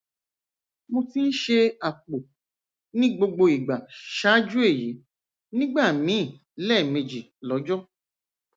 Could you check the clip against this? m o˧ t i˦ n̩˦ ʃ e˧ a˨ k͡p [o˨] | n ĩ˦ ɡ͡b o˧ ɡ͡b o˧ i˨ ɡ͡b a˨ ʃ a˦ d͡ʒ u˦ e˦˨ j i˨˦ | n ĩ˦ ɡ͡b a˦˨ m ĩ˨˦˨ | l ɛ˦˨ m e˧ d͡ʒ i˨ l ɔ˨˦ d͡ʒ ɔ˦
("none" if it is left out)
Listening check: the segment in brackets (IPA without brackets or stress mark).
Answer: o˨